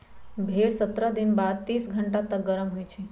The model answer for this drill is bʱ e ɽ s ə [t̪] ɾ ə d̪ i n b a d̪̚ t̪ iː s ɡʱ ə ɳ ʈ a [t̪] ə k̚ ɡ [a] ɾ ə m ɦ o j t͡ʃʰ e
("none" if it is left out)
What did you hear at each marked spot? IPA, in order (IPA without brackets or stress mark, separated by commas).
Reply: t̪, t̪, ə